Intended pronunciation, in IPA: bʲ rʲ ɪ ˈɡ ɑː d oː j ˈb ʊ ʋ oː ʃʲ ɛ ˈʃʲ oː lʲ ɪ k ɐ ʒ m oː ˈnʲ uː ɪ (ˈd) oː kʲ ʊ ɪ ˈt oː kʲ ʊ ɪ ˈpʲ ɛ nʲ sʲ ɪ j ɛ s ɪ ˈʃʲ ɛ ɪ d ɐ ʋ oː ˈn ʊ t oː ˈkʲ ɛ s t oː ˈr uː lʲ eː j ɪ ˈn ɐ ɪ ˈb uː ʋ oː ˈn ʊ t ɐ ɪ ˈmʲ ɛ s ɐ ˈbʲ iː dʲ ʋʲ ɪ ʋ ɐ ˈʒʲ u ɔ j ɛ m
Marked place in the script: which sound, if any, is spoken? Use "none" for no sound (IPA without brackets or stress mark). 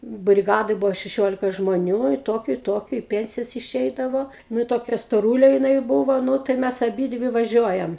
t